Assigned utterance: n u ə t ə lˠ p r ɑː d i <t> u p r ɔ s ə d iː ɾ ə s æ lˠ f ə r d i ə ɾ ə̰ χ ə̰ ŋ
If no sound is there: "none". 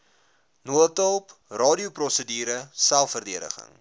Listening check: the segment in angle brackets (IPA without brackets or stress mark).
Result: none